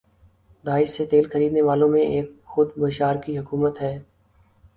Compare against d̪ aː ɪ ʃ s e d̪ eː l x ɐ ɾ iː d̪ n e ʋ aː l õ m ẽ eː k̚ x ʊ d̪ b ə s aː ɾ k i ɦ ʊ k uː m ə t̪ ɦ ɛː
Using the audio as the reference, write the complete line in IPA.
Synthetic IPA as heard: d̪ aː ɪ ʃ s e t̪ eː l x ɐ ɾ iː d̪ n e ʋ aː l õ m ẽ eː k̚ x ʊ d̪ b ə ʃ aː ɾ k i ɦ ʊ k uː m ə t̪ ɦ ɛː

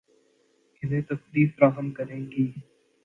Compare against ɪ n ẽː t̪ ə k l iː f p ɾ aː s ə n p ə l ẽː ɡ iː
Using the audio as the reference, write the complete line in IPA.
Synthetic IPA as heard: ɪ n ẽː t̪ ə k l iː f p ɾ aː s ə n k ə ɾ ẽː ɡ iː

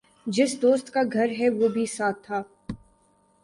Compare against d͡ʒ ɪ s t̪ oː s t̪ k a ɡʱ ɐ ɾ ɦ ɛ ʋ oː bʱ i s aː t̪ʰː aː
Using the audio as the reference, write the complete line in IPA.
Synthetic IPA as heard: d͡ʒ ɪ s d̪ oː s t̪ k a ɡʱ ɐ ɾ ɦ ɛ ʋ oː bʱ i s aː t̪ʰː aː

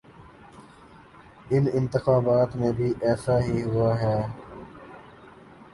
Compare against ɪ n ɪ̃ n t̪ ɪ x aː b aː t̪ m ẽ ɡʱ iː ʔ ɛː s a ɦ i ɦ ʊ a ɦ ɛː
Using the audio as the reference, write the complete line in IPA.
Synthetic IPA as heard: ɪ n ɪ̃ n t̪ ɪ x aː b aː t̪ m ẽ bʱ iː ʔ ɛː s a ɦ i ɦ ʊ a ɦ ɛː

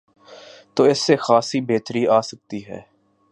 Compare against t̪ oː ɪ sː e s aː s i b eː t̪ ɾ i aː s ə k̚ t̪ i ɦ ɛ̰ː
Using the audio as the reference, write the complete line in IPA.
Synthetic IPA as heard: t̪ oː ɪ sː e x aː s i b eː t̪ ɾ i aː s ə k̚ t̪ i ɦ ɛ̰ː

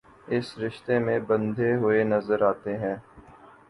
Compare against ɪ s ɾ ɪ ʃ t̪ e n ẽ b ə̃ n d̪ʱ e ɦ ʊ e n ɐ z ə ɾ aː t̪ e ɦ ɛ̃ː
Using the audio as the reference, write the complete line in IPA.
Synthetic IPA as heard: ɪ s ɾ ɪ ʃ t̪ e m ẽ b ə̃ n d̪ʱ e ɦ ʊ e n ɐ z ə ɾ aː t̪ e ɦ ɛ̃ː

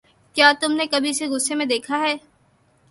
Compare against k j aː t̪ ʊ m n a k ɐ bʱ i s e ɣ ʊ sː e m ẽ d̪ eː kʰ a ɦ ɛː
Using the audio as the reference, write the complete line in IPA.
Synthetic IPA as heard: k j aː t̪ ʊ m n e k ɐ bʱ i s e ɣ ʊ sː e m ẽ d̪ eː kʰ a ɦ ɛː

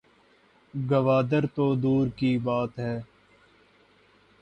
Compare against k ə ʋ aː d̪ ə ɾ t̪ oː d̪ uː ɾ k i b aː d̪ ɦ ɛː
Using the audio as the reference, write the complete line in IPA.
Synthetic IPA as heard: ɡ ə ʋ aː d̪ ə ɾ t̪ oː d̪ uː ɾ k i b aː t̪ ɦ ɛː

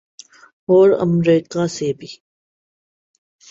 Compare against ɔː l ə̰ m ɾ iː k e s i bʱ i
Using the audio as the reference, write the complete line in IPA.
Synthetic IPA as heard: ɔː ɾ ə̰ m ɾ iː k a s e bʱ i

